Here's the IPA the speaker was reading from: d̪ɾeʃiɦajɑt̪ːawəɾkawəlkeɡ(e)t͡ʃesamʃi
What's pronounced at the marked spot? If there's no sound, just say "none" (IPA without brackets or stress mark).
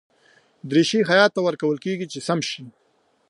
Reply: i